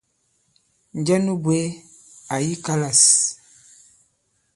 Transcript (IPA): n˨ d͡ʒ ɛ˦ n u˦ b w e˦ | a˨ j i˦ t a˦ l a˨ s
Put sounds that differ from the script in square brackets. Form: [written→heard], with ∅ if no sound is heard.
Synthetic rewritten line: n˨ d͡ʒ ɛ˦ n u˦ b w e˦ | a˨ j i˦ [t→k] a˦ l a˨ s